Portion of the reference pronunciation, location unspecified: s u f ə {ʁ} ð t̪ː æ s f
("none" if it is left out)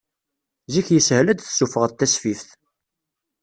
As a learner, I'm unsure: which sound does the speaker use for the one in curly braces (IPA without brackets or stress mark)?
ʁ